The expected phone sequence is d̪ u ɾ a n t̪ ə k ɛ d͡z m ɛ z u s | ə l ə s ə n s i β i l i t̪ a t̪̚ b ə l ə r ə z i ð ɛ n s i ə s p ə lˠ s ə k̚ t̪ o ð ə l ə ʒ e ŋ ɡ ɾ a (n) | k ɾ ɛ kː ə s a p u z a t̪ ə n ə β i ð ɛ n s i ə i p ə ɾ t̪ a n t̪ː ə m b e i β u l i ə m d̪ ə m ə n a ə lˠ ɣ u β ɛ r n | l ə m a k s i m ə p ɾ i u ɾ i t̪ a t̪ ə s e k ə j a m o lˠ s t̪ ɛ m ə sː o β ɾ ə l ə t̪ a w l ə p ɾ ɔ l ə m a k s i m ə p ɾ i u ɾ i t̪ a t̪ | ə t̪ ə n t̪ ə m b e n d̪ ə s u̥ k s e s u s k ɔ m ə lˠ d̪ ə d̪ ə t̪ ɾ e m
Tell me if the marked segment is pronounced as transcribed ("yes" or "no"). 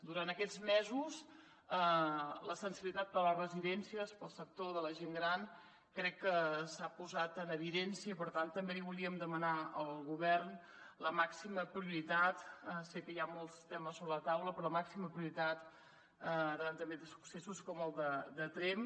yes